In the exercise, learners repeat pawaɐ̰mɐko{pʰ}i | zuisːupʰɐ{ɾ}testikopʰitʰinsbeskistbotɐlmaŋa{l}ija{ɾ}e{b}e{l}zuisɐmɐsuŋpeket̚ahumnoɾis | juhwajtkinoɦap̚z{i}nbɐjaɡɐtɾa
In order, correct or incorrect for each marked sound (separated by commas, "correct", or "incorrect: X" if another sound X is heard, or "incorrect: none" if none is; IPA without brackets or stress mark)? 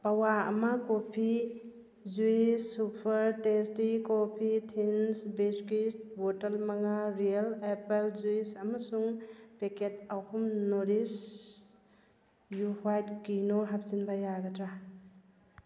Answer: correct, correct, incorrect: ɾ, incorrect: l, incorrect: p, correct, correct